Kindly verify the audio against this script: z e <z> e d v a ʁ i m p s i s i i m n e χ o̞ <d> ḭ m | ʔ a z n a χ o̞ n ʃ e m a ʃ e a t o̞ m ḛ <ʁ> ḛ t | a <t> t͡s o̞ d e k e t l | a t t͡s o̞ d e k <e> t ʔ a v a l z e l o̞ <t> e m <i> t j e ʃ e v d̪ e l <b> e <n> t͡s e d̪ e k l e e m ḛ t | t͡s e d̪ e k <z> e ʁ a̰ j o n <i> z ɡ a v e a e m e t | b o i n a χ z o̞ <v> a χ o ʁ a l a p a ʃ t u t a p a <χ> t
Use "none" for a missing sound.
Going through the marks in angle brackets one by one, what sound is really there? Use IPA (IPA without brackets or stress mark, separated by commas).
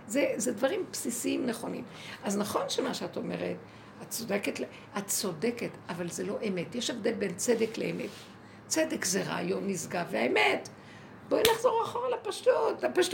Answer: z, n, ʁ, t, e, ʔ, e, b, n, z, i, ʁ, ʃ